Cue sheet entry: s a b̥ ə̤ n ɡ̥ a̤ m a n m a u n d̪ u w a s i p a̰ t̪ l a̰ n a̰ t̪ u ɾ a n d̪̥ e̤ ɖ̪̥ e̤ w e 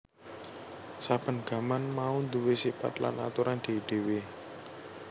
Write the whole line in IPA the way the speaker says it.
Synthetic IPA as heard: s a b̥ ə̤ n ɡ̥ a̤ m a n m a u n d̪ u w e s i p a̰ t̪ l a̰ n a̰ t̪ u ɾ a n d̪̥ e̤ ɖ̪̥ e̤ w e